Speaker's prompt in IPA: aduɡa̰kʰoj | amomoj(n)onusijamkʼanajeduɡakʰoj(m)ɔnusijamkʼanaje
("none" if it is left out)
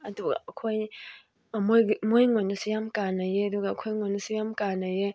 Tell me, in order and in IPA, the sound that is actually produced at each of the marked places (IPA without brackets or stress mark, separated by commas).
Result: ŋ, ŋ